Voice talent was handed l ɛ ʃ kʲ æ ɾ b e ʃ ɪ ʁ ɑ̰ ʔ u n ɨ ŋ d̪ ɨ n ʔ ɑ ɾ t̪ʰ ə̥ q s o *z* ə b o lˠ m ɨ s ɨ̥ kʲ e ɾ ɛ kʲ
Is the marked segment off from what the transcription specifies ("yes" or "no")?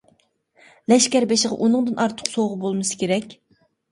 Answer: yes